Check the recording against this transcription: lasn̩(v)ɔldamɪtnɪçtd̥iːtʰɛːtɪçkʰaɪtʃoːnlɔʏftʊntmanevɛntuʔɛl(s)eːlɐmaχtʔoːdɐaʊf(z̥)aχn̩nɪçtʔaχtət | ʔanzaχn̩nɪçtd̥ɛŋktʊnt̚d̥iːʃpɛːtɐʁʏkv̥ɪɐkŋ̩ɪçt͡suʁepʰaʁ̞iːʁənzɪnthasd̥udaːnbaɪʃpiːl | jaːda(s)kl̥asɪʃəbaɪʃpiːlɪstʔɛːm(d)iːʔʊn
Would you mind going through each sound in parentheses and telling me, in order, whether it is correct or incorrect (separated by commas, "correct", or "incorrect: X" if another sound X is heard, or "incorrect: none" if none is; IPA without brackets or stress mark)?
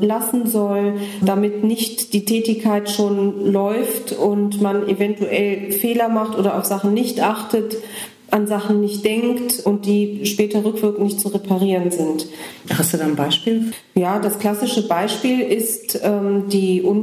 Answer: incorrect: z, incorrect: f, correct, correct, correct